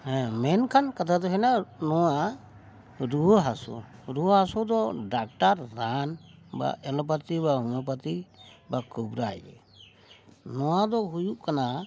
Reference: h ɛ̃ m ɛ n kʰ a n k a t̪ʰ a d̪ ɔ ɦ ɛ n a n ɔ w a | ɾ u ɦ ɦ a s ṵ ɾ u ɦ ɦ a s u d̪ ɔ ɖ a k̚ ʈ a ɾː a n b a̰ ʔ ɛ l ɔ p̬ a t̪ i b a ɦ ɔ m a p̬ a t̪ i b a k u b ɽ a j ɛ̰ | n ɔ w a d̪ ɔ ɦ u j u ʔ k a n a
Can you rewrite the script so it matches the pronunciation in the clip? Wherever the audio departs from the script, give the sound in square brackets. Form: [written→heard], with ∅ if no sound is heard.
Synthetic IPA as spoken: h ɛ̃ m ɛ n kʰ a n k a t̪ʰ a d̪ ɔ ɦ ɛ n a n ɔ w a | ɾ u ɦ ɦ a s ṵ ɾ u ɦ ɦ a s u d̪ ɔ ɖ a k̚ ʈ a ɾː a n b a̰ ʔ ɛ l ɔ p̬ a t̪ i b a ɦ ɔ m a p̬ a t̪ i b a k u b [ɽ→ɾ] a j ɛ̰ | n ɔ w a d̪ ɔ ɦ u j u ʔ k a n a